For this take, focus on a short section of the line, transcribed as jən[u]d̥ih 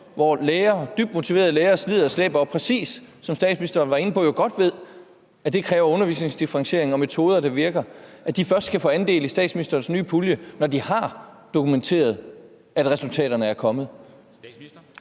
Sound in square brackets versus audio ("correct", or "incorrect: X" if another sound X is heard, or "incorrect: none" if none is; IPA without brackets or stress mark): incorrect: ɒ